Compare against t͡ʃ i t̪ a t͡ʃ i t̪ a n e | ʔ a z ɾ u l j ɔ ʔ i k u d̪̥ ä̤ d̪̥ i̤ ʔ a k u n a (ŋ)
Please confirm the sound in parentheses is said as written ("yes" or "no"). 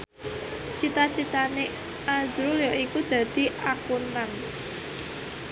no